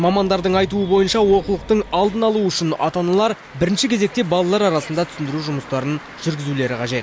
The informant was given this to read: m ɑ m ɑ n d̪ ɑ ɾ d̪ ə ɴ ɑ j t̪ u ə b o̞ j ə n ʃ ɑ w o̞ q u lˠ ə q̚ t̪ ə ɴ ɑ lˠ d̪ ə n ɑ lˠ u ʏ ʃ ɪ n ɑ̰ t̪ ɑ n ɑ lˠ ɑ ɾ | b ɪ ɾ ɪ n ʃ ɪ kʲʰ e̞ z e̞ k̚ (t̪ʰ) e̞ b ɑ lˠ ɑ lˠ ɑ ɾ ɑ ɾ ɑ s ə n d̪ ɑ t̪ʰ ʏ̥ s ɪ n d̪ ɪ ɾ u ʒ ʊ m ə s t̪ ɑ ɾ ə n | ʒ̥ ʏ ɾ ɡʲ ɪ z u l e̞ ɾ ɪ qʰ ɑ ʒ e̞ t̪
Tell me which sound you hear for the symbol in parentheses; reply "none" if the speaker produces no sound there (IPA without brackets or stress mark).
t̪